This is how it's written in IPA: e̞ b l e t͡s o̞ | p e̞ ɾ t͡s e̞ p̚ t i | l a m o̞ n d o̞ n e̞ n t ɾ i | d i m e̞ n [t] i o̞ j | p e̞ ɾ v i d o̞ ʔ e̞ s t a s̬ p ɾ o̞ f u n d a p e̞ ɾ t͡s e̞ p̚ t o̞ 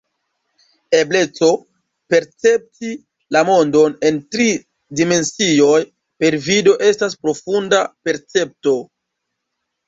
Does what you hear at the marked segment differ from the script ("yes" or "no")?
yes